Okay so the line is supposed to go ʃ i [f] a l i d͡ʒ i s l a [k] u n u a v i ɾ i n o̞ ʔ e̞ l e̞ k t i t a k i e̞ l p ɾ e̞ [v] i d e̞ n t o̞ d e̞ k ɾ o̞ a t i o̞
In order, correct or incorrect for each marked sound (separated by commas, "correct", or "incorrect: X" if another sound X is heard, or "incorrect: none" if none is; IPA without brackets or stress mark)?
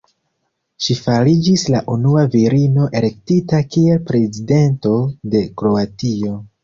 correct, incorrect: ʔ, incorrect: z